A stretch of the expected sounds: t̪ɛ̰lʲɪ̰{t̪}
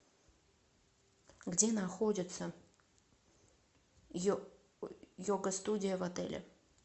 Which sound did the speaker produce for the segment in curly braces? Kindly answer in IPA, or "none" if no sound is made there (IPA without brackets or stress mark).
none